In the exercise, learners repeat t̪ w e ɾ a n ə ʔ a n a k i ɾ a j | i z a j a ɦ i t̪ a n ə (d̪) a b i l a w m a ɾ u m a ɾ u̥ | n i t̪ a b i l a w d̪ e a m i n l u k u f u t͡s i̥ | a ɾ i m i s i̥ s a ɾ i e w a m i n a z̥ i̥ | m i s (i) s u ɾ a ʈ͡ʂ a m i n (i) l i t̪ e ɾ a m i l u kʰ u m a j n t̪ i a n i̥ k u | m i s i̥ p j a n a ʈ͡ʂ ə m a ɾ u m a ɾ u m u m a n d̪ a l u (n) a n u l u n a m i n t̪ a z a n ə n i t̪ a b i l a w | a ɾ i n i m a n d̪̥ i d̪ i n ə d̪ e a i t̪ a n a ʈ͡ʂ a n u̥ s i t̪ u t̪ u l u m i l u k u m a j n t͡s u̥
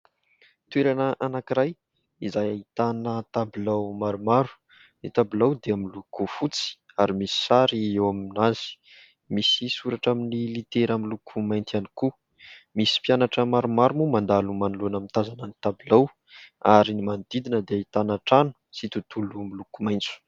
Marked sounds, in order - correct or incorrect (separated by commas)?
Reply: incorrect, correct, correct, incorrect